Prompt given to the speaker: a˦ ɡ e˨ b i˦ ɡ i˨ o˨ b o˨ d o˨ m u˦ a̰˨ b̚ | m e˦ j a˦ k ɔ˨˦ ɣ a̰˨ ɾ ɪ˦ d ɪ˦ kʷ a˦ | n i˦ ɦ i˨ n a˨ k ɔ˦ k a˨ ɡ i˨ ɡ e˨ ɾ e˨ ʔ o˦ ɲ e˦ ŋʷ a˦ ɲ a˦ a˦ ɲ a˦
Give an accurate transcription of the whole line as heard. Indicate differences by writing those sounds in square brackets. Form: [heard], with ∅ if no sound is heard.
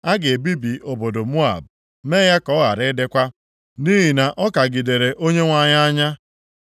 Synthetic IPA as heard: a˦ ɡ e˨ b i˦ [b] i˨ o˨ b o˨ d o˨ m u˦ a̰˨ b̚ | m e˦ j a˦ k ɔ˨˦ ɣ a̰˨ ɾ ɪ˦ d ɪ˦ kʷ a˦ | n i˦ ɦ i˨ n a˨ [ʔ] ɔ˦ k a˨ ɡ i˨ [d] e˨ ɾ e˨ ʔ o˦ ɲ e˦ ŋʷ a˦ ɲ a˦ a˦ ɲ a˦